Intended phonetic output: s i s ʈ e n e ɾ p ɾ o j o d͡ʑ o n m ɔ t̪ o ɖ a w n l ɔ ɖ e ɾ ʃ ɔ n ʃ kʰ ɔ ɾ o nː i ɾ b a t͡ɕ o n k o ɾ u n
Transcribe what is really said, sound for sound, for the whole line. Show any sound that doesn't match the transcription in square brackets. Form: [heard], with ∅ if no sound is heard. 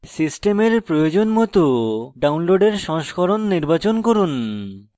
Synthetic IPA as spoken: s i s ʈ e [m] e ɾ p ɾ o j o d͡ʑ o n m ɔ t̪ o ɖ a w n l [o] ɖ e ɾ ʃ ɔ [ŋ] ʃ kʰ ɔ ɾ o nː i ɾ b a t͡ɕ o n k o ɾ u n